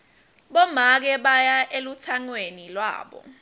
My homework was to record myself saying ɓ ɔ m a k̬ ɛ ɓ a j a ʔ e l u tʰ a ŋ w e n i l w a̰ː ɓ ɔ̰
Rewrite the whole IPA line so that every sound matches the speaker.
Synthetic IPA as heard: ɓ ɔ m a k̬ ɛ ɓ a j a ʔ e l u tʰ a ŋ w e n i l w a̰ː ɓ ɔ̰